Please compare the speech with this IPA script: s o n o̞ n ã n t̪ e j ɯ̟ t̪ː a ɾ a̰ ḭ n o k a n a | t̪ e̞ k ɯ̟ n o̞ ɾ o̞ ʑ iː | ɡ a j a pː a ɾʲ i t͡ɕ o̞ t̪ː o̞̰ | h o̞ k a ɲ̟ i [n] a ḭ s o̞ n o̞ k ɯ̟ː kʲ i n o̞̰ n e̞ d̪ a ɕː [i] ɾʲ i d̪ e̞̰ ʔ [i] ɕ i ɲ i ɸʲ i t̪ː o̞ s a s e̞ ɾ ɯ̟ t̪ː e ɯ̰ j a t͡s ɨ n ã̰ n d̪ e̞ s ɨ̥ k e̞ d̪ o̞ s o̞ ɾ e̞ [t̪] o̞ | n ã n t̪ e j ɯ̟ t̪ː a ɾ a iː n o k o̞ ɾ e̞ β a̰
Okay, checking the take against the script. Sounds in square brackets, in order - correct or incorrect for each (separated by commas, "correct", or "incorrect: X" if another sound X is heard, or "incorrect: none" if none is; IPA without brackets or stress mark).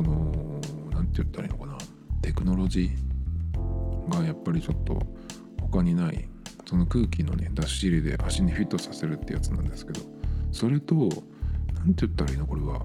correct, correct, incorrect: a, correct